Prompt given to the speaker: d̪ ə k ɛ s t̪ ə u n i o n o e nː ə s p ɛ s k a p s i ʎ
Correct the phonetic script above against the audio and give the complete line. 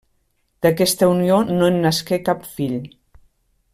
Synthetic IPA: d̪ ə k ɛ s t̪ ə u n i o n o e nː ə s k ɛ k a p f i ʎ